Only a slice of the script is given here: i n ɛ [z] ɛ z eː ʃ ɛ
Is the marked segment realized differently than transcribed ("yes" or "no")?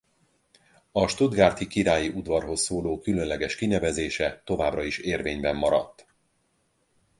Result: yes